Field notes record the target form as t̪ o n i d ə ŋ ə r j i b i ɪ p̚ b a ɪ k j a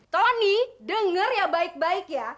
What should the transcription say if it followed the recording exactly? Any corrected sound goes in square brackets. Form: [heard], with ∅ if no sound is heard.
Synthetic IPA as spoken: t̪ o n i d ə ŋ ə r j [a] b [a] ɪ [k̚] b a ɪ k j a